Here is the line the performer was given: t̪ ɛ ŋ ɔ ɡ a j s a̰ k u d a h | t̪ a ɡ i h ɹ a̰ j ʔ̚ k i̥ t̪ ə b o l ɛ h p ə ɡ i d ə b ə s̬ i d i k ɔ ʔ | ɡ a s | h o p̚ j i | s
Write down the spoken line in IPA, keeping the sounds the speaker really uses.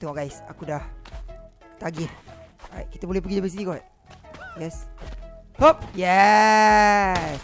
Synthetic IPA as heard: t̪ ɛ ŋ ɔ ɡ a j s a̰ k u d a h | t̪ a ɡ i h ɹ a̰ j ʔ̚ k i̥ t̪ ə b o l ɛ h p ə ɡ i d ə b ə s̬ i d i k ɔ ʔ | ɡ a s | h o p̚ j ɛ | s